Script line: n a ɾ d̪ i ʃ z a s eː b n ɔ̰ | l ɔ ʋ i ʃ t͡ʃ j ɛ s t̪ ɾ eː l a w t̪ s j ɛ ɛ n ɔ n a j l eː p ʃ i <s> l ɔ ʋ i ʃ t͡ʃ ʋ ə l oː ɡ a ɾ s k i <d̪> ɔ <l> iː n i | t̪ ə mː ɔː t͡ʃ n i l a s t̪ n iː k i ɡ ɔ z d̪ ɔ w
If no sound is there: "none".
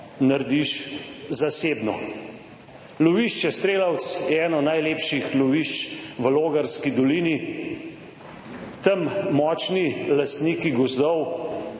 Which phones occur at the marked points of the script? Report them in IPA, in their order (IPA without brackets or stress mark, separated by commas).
x, d̪, l